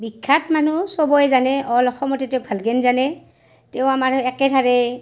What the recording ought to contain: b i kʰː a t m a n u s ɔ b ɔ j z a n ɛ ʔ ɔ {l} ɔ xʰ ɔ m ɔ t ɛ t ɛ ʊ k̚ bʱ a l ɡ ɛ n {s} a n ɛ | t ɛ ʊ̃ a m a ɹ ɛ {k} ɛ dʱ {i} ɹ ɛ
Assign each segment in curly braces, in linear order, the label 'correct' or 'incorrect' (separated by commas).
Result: correct, incorrect, correct, incorrect